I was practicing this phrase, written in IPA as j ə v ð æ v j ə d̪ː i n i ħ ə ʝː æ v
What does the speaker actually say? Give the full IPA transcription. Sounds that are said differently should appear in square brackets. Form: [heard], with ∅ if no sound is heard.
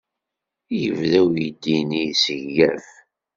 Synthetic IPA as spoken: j ə v ð æ [w] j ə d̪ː i n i [s] ə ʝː æ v